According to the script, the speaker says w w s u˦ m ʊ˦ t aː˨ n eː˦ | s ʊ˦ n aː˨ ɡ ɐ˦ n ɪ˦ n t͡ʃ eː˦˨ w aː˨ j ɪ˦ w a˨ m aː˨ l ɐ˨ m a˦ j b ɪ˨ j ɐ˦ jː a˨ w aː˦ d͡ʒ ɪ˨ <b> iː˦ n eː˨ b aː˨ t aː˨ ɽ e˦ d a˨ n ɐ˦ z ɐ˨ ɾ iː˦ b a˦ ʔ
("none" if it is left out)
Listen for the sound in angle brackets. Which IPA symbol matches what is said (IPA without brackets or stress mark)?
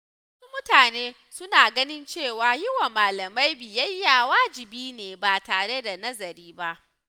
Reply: b